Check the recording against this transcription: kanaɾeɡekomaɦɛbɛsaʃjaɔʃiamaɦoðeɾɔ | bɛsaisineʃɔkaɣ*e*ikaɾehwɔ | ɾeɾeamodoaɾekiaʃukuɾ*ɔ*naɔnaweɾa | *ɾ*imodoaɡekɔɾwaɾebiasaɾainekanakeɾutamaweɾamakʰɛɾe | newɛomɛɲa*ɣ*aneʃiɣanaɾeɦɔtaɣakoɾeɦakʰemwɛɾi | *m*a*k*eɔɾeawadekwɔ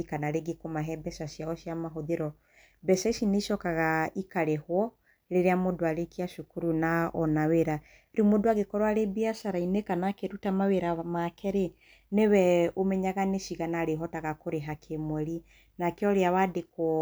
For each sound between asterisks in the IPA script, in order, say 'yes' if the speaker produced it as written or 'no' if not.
no, no, yes, yes, no, yes

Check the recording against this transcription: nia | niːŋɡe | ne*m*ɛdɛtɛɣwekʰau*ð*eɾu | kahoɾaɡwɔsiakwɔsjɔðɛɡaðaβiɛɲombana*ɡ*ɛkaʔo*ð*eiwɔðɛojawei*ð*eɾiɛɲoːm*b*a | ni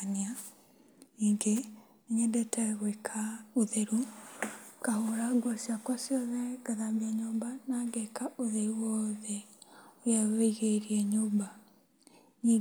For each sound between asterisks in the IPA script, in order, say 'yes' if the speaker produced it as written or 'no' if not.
no, yes, yes, yes, no, yes

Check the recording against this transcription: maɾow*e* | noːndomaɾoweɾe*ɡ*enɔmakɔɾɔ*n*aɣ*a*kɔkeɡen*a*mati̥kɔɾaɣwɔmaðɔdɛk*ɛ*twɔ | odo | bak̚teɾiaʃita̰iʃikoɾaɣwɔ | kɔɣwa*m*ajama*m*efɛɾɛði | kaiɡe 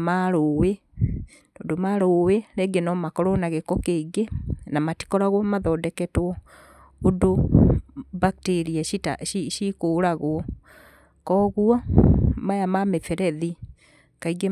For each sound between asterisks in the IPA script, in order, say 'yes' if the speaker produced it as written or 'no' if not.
yes, yes, yes, no, yes, yes, yes, yes

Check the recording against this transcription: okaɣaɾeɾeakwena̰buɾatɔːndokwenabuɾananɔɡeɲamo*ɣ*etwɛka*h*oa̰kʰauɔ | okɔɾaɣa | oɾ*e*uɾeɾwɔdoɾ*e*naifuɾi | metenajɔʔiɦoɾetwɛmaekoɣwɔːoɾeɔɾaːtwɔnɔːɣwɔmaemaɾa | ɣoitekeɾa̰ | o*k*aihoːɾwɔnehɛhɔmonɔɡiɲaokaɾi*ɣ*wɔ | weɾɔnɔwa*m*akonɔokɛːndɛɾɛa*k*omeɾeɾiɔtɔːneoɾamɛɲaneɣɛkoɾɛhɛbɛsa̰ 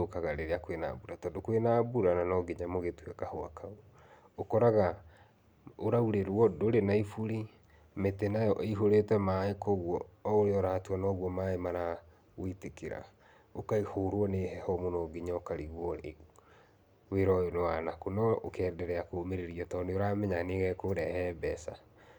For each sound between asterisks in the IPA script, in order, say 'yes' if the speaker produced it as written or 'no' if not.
yes, yes, no, yes, yes, yes, no, yes

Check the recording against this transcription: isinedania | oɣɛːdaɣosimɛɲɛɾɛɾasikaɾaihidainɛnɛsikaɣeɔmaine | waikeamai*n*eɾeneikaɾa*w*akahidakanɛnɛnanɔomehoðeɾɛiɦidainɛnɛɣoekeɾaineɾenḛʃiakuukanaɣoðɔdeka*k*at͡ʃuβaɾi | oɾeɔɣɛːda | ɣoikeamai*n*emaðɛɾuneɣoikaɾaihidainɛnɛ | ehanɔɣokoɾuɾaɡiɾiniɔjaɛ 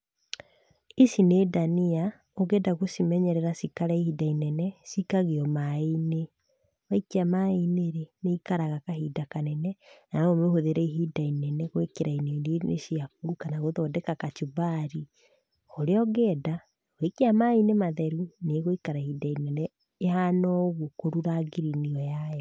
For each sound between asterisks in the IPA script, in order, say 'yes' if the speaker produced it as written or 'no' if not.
yes, no, yes, yes

